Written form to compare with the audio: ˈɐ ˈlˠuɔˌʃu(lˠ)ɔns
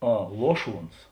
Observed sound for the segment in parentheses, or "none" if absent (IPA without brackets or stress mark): none